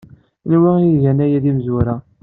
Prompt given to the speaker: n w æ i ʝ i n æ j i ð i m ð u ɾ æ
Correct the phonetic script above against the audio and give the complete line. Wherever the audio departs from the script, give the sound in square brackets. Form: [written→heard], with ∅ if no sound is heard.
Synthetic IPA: n w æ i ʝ [i→æ] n æ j [i→æ] ð i m [ð→z] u ɾ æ